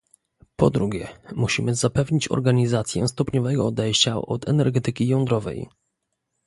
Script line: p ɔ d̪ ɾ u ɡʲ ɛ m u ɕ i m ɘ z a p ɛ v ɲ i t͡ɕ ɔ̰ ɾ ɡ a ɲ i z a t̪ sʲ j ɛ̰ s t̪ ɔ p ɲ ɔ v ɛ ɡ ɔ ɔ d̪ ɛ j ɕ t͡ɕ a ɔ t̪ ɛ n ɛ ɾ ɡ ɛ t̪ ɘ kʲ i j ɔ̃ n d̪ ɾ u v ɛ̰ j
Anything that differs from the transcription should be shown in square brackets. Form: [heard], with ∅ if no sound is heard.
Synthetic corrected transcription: p ɔ d̪ ɾ u ɡʲ ɛ m u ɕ i m ɘ z a p ɛ v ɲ i t͡ɕ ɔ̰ ɾ ɡ a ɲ i z a t̪ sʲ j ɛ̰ s t̪ ɔ p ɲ ɔ v ɛ ɡ ɔ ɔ d̪ ɛ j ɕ t͡ɕ a ɔ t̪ ɛ n ɛ ɾ ɡ ɛ t̪ ɘ kʲ i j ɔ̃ n d̪ ɾ [ɔ] v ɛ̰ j